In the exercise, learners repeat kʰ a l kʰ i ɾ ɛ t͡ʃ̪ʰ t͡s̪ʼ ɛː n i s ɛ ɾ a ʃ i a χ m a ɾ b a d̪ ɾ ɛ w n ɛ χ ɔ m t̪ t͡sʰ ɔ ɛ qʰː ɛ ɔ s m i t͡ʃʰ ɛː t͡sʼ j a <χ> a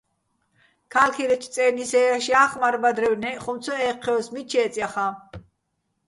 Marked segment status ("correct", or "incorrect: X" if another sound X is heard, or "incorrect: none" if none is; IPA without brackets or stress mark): correct